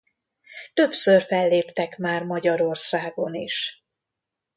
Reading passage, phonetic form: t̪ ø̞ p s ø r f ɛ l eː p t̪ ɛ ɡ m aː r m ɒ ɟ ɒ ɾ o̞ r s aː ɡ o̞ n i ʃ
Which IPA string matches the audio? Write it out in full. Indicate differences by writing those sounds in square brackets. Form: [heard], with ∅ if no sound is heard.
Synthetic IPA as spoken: t̪ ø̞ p s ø r f ɛ [lː] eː p t̪ ɛ [k] m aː r m ɒ ɟ ɒ ɾ o̞ r s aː ɡ o̞ n i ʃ